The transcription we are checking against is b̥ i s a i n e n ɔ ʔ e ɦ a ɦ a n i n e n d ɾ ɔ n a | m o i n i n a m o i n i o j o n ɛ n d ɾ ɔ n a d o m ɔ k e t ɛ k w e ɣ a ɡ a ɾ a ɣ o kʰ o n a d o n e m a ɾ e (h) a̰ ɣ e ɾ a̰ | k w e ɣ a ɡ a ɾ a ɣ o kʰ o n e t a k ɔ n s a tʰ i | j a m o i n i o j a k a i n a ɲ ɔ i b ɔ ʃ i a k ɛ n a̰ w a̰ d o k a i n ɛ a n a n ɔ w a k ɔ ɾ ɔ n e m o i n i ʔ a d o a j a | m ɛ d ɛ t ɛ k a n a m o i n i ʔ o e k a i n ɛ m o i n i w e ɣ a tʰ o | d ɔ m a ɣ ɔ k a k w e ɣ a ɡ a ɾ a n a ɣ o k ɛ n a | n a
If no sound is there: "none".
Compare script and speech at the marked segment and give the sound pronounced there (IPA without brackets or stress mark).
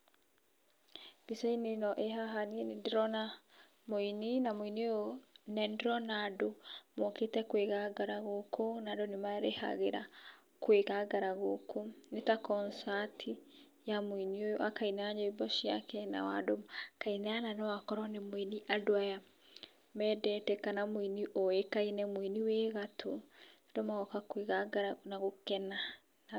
h